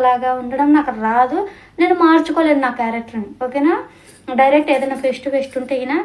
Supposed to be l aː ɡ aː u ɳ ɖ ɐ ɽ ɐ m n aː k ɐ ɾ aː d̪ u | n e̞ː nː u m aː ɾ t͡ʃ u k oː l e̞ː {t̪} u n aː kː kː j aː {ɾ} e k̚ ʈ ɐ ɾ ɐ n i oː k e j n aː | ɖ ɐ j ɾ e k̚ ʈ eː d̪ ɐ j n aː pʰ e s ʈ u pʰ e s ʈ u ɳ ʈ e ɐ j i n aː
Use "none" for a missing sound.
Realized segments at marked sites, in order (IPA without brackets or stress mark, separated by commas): d̪, ɾ